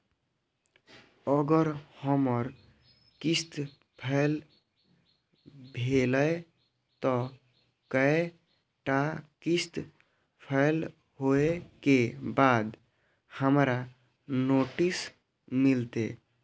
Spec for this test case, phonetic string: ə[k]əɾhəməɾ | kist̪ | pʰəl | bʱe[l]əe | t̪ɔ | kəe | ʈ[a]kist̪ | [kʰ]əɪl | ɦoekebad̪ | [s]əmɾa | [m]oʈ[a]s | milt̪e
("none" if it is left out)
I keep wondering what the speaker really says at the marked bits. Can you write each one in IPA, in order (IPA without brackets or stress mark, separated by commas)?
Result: ɡ, l, a, pʰ, h, n, i